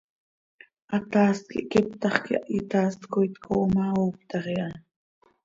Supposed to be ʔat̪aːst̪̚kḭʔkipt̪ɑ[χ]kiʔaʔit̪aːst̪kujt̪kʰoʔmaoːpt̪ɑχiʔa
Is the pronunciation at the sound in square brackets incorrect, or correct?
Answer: correct